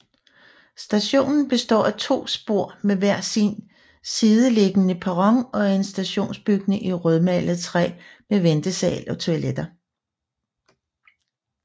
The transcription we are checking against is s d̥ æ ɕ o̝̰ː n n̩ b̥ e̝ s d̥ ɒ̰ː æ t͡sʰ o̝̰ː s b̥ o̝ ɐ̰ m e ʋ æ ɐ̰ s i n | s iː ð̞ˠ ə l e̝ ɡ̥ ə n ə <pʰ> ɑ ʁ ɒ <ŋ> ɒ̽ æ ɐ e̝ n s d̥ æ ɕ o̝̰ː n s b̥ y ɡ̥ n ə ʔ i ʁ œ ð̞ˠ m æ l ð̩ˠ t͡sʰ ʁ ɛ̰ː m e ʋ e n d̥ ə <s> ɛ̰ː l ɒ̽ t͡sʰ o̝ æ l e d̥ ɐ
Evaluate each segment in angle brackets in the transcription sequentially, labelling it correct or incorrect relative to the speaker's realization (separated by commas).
correct, correct, correct